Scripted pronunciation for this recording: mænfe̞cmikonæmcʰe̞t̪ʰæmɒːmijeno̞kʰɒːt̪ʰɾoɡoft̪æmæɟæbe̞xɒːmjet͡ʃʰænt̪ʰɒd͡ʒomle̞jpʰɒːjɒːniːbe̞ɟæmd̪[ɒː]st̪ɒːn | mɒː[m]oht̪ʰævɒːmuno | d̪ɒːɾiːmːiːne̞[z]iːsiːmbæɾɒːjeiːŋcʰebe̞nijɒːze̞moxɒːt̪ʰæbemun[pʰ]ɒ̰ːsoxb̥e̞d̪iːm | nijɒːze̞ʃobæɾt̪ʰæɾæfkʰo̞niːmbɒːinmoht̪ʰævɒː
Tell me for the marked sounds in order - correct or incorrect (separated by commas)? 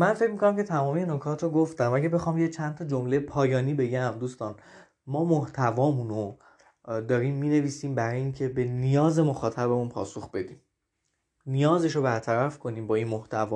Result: incorrect, correct, incorrect, correct